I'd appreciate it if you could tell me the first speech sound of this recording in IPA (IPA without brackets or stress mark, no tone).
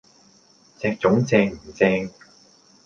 t͡s